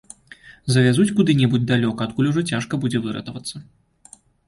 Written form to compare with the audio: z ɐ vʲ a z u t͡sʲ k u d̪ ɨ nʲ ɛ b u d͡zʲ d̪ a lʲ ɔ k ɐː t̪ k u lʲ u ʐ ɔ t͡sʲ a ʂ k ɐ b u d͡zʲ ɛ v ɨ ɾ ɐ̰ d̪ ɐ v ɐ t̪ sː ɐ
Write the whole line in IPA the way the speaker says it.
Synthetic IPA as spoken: z ɐ vʲ a z u t͡sʲ k u d̪ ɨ nʲ ɛ b u d͡zʲ d̪ a lʲ ɔ k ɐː t̪ k u lʲ u ʐ ɔ t͡sʲ a ʂ k ɐ b u d͡zʲ ɛ v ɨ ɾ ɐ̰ t̪ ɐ v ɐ t̪ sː ɐ